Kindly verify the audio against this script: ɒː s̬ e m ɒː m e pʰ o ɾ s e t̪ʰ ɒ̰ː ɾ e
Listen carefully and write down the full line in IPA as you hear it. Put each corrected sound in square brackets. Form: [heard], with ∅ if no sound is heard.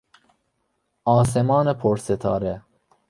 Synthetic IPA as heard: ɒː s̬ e m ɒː [n] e pʰ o ɾ s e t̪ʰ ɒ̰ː ɾ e